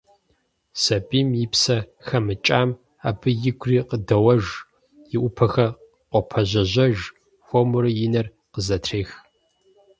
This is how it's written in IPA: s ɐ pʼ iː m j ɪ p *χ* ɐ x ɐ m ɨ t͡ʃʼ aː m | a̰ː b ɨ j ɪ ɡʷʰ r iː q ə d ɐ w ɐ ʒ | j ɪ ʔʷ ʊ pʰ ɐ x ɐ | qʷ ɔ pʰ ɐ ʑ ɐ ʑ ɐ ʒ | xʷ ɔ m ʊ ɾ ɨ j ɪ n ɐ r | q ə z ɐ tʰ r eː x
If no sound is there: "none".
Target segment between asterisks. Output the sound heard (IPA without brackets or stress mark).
s